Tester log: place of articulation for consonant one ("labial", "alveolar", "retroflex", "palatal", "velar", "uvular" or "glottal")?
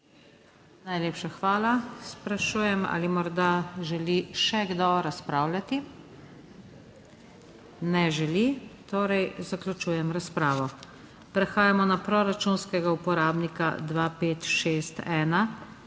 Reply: alveolar